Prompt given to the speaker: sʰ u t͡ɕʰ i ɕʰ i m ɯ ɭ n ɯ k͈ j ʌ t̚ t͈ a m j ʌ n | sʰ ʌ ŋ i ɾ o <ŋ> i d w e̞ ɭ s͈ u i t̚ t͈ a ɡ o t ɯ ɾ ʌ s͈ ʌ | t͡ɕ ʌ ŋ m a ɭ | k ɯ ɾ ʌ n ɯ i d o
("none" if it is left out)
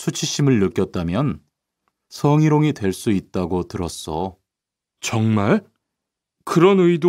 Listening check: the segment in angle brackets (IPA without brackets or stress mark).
ŋ